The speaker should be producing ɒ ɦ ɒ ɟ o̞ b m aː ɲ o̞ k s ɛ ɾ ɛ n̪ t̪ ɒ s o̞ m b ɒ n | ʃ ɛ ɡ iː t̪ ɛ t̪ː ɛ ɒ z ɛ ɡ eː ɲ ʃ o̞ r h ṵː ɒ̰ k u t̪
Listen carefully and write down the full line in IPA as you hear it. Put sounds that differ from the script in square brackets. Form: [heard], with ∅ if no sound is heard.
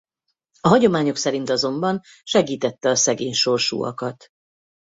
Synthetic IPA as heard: ɒ ɦ ɒ ɟ o̞ [∅] m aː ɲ o̞ k s ɛ ɾ [i] n̪ t̪ ɒ [z] o̞ m b ɒ n | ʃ ɛ ɡ iː t̪ ɛ t̪ː ɛ ɒ [s] ɛ ɡ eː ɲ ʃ o̞ r [ʃ] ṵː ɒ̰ k [ɒ] t̪